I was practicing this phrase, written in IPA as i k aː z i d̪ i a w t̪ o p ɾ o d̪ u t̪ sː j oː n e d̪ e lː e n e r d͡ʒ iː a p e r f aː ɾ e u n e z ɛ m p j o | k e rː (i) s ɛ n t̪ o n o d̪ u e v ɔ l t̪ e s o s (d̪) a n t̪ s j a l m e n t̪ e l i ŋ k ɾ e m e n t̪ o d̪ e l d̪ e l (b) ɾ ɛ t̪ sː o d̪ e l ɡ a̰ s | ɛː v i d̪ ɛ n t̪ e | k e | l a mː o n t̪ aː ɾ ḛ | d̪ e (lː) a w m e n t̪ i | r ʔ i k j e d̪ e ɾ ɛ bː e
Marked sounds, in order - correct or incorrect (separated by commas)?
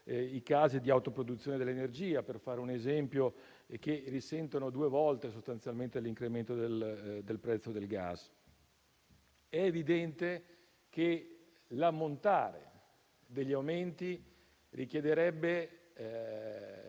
correct, incorrect, incorrect, incorrect